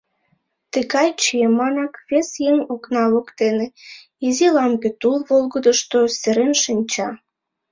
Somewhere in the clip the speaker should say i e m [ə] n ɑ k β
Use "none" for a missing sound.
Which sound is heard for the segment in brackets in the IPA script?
ɑ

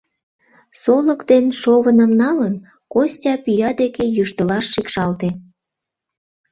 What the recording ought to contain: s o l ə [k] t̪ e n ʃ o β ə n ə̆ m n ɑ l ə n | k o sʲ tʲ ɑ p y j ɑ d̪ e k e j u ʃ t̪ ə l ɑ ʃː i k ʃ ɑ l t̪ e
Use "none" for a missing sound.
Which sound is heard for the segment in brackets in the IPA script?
k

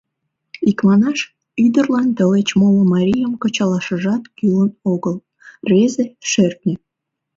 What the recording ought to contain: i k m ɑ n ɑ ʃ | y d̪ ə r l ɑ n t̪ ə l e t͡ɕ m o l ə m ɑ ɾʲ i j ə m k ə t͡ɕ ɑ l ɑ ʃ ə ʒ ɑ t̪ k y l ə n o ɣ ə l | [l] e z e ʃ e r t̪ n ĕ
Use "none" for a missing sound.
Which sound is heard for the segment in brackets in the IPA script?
r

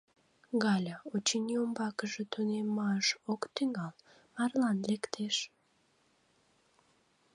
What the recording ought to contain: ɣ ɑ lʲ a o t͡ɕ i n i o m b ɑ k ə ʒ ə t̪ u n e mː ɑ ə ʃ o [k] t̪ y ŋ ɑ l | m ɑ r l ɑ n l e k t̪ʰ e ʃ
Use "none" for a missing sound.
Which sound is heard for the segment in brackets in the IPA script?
k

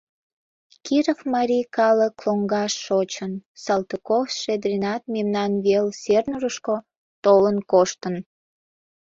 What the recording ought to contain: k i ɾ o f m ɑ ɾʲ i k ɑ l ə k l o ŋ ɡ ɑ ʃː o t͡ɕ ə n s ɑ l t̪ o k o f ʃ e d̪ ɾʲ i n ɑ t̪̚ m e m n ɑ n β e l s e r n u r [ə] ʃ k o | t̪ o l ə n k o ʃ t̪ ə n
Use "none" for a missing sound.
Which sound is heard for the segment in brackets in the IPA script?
ə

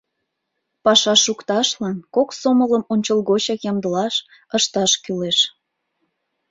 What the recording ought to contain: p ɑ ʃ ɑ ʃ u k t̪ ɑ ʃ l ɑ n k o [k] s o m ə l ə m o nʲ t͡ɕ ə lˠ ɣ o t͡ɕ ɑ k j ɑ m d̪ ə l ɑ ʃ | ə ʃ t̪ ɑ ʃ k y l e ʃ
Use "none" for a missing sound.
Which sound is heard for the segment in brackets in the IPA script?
k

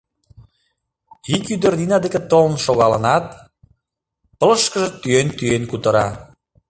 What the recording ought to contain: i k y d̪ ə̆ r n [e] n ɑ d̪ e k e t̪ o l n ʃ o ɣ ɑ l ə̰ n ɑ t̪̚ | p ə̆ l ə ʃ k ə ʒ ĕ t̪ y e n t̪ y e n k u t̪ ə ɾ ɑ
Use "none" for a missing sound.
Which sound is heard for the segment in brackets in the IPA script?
i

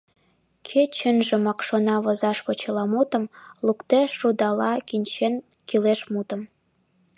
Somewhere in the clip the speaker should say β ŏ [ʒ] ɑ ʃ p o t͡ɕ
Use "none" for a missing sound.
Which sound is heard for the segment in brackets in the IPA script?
z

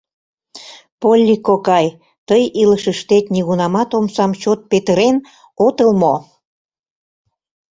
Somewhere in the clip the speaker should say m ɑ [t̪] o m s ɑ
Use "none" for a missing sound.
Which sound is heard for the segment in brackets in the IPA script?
t̪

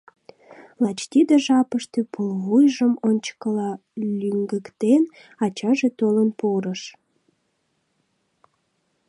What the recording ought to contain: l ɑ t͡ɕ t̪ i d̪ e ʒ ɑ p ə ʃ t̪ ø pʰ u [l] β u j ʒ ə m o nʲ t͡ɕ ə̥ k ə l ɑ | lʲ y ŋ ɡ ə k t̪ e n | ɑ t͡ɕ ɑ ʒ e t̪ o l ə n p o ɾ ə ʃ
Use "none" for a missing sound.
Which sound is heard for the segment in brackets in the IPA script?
l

